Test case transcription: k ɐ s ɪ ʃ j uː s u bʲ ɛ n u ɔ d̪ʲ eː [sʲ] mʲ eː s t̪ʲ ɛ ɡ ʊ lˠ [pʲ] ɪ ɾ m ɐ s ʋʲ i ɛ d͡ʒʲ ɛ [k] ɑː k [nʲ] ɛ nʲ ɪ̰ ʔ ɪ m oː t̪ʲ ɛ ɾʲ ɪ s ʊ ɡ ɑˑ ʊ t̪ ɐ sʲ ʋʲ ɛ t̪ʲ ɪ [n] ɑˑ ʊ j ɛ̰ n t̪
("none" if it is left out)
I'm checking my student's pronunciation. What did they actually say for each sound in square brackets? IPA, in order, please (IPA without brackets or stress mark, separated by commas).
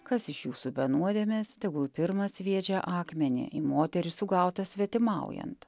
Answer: none, pʲ, ʔ, mʲ, m